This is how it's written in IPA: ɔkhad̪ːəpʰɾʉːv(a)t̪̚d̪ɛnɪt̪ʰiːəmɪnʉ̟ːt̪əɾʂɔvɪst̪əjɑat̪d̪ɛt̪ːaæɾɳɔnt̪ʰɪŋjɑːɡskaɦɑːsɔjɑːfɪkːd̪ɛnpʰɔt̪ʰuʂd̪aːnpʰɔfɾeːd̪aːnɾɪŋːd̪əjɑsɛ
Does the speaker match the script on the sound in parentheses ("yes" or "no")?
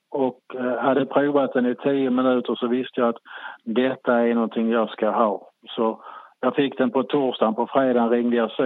yes